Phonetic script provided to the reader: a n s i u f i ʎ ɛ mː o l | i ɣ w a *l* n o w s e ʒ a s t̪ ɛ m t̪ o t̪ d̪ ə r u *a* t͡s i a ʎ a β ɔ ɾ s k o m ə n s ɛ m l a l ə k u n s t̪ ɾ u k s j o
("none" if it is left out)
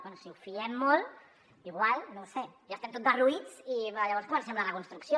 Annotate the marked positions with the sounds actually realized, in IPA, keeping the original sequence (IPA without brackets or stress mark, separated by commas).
l, i